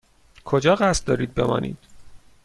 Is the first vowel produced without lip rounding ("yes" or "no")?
no